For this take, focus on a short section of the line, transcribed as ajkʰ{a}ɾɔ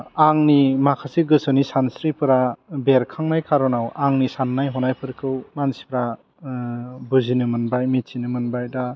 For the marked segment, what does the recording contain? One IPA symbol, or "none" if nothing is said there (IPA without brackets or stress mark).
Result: a